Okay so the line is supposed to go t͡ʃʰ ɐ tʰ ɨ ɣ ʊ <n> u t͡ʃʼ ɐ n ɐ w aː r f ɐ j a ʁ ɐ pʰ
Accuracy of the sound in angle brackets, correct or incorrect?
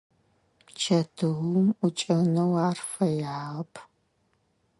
incorrect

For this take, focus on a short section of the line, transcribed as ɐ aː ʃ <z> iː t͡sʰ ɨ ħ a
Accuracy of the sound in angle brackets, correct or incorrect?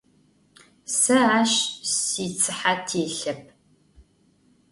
incorrect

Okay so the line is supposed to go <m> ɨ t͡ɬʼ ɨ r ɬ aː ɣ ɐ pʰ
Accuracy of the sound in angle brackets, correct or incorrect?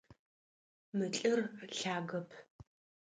correct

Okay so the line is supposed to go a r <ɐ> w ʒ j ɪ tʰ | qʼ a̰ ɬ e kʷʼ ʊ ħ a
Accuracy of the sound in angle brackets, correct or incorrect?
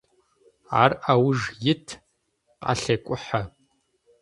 incorrect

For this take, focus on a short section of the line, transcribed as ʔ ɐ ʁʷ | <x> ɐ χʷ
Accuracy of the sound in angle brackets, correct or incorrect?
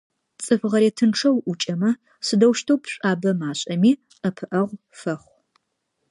incorrect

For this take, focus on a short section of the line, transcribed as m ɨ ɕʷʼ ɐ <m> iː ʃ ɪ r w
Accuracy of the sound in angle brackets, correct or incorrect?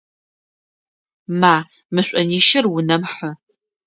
incorrect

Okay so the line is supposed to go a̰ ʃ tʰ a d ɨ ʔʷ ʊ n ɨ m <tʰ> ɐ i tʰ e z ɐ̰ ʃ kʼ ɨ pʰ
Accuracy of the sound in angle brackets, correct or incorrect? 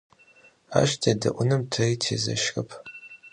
correct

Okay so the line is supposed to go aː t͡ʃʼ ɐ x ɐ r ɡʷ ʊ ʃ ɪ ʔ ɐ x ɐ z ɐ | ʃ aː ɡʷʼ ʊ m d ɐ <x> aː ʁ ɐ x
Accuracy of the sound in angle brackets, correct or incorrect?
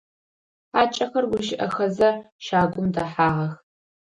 incorrect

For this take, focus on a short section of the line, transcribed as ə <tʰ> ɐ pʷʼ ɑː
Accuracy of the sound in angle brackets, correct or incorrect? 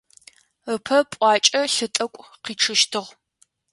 incorrect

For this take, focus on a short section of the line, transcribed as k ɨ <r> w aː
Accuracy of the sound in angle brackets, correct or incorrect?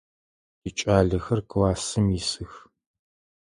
incorrect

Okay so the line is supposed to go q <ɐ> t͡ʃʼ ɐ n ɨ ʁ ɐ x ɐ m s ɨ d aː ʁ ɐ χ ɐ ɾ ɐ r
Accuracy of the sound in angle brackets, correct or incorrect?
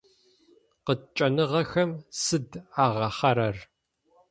incorrect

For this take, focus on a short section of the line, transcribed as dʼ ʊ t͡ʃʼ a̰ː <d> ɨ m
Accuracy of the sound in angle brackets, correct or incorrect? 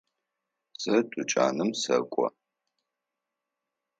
incorrect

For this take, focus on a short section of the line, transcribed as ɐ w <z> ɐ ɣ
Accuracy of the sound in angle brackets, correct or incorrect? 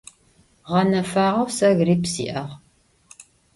incorrect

